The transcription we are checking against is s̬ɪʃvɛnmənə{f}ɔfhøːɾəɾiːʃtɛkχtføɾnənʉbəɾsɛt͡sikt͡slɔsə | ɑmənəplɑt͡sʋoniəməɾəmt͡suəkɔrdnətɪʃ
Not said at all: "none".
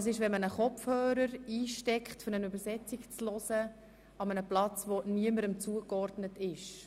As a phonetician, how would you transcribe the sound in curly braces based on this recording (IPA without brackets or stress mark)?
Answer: χ